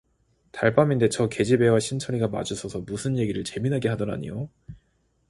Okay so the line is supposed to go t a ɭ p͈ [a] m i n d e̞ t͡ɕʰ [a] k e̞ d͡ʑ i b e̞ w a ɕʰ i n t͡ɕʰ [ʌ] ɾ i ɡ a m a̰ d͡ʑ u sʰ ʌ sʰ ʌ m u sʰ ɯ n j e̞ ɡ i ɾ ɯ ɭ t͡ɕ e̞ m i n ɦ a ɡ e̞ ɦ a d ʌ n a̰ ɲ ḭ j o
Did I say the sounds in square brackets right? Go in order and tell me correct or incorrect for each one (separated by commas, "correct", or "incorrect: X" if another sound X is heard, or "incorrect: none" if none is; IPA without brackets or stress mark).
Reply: correct, incorrect: ʌ, correct